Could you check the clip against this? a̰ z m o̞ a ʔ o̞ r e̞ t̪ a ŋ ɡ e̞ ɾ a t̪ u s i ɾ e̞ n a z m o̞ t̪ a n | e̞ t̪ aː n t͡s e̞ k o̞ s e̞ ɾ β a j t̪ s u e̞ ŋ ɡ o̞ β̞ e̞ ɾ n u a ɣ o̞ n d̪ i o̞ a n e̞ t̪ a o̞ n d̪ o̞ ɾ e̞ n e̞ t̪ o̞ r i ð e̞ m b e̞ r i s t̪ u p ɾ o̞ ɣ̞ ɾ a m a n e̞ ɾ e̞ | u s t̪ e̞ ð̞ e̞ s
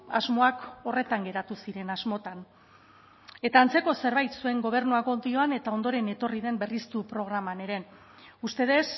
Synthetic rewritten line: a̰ z m o̞ a k o̞ r e̞ t̪ a ŋ ɡ e̞ ɾ a t̪ u s i ɾ e̞ n a z m o̞ t̪ a n | e̞ t̪ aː n t͡s e̞ k o̞ s e̞ ɾ β a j t̪ s u e̞ ŋ ɡ o̞ β̞ e̞ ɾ n u a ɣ o̞ n d̪ i o̞ a n e̞ t̪ a o̞ n d̪ o̞ ɾ e̞ n e̞ t̪ o̞ r i ð e̞ m b e̞ r i s t̪ u p ɾ o̞ ɣ̞ ɾ a m a n e̞ ɾ e̞ | u s t̪ e̞ ð̞ e̞ s